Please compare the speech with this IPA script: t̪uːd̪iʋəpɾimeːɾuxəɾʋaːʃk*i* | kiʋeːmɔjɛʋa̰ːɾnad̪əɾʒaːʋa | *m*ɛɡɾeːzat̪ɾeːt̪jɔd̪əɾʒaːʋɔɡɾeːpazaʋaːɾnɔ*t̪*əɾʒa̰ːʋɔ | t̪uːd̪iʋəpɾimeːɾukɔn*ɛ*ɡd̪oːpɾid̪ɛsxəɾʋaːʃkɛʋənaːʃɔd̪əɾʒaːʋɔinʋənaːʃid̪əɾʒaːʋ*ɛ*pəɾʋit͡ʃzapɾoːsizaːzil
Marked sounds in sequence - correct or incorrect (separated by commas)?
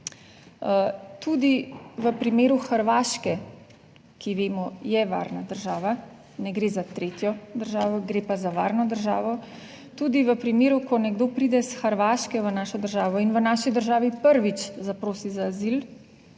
incorrect, incorrect, incorrect, correct, incorrect